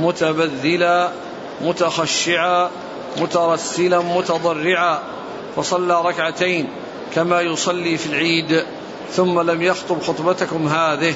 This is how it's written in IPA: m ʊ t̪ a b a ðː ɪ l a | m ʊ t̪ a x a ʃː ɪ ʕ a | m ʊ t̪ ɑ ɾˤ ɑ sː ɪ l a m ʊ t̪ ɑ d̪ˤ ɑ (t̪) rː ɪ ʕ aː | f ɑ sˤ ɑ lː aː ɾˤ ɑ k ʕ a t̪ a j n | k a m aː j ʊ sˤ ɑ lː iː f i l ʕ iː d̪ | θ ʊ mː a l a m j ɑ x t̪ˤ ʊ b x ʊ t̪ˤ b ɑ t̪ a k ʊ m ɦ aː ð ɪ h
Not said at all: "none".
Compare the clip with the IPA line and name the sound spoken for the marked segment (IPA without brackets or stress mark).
none